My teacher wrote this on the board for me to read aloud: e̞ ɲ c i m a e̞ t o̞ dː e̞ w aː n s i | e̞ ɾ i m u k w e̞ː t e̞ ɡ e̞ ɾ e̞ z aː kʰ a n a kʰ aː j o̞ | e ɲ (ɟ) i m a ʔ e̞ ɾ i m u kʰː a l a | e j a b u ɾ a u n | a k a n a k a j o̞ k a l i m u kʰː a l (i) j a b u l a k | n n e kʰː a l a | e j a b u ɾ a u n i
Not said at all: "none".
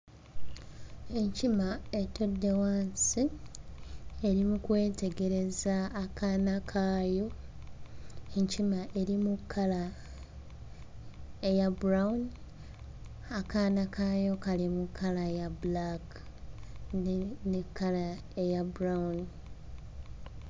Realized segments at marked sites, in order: c, a

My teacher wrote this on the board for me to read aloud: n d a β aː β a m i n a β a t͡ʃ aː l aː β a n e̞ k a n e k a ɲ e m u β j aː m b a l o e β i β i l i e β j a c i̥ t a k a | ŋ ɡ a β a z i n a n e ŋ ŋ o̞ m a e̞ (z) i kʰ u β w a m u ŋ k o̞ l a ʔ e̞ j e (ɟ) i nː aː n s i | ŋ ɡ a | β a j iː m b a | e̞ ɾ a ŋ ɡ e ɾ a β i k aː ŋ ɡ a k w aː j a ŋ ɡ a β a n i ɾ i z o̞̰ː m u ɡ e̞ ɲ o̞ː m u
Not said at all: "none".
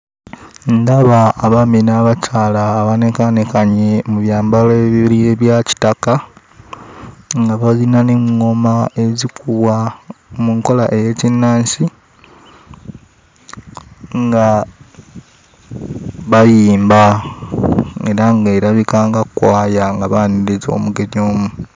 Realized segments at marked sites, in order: z, c

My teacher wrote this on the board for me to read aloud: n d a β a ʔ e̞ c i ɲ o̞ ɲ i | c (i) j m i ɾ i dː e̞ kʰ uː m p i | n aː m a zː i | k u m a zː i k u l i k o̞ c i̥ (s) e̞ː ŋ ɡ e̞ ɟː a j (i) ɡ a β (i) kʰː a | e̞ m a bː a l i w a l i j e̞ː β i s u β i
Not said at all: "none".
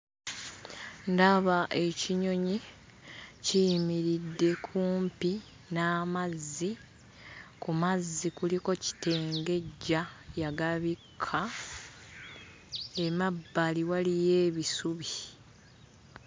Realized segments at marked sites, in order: i, t, a, i

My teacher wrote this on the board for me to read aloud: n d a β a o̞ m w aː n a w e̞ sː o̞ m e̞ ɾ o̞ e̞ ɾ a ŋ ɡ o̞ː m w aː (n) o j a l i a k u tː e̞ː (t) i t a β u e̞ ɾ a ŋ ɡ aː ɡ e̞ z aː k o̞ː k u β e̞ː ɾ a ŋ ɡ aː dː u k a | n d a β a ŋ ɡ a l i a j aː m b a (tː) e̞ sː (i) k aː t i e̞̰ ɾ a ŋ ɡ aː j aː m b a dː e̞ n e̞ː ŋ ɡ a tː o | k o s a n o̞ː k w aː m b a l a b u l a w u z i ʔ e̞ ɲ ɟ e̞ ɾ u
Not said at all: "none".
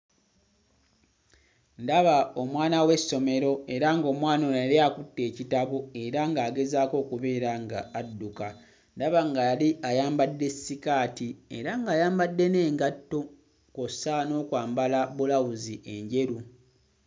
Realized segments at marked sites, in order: n, c, dː, i

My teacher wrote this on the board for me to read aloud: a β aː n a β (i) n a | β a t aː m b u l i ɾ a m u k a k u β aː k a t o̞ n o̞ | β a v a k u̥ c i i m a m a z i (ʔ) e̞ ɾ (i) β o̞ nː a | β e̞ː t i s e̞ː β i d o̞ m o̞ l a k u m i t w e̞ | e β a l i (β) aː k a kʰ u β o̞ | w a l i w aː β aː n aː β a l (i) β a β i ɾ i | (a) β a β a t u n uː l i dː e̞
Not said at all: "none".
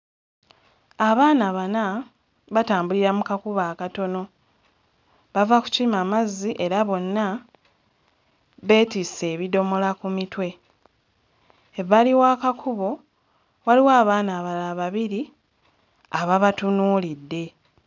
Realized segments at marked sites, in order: a, ʔ, a, w, a, a

